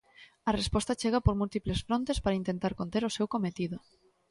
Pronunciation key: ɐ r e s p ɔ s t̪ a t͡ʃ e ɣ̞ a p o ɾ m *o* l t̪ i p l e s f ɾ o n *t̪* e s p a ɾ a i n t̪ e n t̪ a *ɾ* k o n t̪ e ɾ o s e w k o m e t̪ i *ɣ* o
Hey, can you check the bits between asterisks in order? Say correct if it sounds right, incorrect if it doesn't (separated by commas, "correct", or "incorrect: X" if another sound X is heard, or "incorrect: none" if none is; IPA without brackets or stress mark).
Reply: incorrect: u, correct, correct, incorrect: ð